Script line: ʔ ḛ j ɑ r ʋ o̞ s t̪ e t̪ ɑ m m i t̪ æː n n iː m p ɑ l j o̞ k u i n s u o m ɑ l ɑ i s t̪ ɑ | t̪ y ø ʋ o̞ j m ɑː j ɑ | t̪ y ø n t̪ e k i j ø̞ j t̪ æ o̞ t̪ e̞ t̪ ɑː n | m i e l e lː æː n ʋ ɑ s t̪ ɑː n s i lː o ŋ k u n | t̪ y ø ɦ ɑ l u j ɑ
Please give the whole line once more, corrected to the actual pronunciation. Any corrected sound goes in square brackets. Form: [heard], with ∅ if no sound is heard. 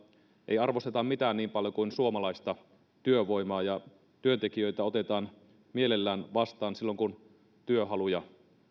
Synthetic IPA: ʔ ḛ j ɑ r ʋ o̞ s t̪ e t̪ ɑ m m i t̪ æː n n iː m p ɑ l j o̞ k u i n s u o m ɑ l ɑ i s t̪ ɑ | t̪ y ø ʋ o̞ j m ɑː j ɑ | t̪ y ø n t̪ e k i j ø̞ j t̪ æ o̞ t̪ e̞ t̪ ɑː n | m i e l e lː æː n ʋ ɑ s t̪ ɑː n s i lː o ŋ k u n | t̪ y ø ɦ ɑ l u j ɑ